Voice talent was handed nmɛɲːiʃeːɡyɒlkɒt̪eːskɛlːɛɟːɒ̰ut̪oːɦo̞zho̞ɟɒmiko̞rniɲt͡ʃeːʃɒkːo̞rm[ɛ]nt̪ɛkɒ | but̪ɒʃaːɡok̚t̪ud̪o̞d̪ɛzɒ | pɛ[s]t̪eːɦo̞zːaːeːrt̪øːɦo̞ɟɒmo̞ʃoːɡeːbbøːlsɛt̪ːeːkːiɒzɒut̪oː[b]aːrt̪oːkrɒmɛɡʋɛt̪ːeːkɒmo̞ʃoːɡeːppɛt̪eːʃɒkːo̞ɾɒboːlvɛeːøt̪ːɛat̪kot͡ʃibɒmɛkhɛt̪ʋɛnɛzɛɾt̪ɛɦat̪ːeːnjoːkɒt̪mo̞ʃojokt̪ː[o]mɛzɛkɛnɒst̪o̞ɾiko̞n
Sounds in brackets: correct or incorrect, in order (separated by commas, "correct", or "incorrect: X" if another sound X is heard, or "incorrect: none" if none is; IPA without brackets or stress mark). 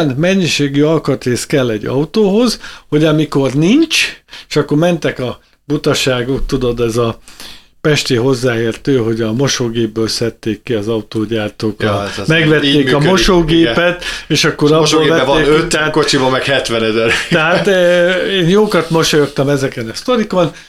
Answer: correct, incorrect: ʃ, incorrect: ɟ, incorrect: ɒ